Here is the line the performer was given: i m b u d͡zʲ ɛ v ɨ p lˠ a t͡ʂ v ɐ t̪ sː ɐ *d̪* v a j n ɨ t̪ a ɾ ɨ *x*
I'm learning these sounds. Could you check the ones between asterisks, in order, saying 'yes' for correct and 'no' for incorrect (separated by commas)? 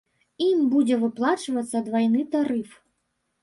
yes, no